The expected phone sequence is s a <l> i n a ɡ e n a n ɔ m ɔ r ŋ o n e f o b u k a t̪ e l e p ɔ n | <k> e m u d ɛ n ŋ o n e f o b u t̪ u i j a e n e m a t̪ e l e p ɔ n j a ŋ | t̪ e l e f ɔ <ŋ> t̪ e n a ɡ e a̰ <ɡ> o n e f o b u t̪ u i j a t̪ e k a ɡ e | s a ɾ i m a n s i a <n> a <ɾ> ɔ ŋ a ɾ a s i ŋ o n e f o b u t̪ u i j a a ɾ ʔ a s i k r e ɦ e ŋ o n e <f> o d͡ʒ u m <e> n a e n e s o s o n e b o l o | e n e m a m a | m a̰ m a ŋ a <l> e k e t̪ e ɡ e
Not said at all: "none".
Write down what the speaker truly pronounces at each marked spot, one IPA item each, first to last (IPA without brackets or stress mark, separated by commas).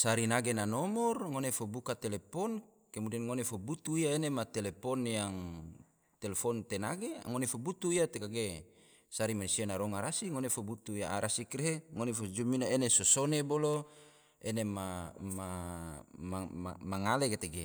ɾ, k, n, ŋ, n, ɾ, f, i, l